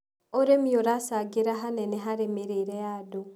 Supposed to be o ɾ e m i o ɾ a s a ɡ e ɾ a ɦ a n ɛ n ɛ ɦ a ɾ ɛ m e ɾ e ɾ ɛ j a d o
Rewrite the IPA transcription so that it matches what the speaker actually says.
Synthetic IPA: o ɾ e m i o ɾ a s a ɡ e ɾ a ɦ a n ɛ n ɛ ɦ a ɾ e m e ɾ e ɾ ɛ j a d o

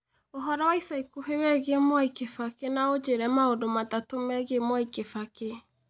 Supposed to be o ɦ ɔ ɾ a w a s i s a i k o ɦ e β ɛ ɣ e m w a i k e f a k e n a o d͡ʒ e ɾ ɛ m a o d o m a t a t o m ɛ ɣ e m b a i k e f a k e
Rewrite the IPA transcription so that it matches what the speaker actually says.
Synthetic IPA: o ɦ ɔ ɾ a w a i s a i k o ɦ e w ɛ ɣ e m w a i k e f a k e n a o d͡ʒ e ɾ ɛ m a o d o m a t a t o m ɛ ɣ e m w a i k e f a k e

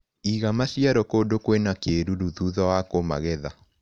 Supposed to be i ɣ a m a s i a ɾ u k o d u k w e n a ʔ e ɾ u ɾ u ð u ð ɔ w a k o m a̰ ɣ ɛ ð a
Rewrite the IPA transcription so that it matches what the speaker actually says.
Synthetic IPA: i ɣ a m a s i a ɾ ɔ k o d o k w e n a k e ɾ u ɾ u ð u ð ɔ w a k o m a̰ ɣ ɛ ð a

